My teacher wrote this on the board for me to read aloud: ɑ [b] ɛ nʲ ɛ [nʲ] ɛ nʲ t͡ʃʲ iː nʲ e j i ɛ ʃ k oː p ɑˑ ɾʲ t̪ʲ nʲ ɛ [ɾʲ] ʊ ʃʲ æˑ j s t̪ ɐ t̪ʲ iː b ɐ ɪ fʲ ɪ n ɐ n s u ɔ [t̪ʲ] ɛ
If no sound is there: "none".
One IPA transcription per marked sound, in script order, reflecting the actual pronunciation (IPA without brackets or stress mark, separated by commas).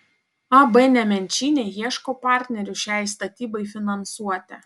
b, mʲ, ɾʲ, t̪ʲ